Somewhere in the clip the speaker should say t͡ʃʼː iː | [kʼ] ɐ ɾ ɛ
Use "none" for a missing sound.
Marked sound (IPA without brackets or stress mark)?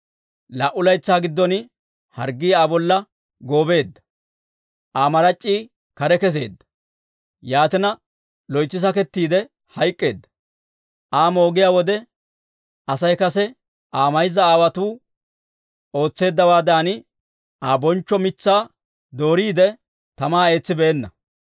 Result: k